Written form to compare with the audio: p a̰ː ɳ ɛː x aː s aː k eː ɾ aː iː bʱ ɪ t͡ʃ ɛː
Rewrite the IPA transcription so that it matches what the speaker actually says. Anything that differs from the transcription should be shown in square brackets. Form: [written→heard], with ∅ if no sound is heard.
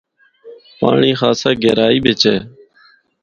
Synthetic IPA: p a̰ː ɳ [ɛː→iː] x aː s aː [k→ɡ] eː ɾ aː iː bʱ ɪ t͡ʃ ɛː